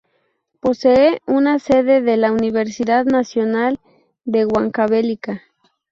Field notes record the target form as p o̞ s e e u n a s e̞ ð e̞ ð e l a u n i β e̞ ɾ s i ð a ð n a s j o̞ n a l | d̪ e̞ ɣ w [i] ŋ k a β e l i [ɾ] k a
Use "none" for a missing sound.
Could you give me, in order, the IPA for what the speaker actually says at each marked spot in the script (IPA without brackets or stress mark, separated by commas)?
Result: a, none